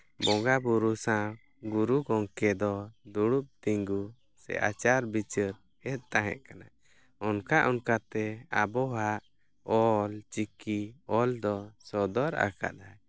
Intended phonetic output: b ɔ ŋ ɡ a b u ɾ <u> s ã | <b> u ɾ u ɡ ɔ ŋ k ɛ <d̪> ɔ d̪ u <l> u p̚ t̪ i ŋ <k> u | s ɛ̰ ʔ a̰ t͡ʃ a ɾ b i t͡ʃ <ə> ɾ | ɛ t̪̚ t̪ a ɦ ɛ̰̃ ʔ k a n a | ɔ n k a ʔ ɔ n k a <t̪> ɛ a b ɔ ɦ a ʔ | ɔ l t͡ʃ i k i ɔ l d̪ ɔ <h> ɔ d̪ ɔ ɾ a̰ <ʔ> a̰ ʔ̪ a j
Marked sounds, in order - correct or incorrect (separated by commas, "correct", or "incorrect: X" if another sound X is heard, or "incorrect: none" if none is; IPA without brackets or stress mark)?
correct, incorrect: ɡ, correct, incorrect: ɽ, incorrect: ɡ, correct, correct, incorrect: s, incorrect: k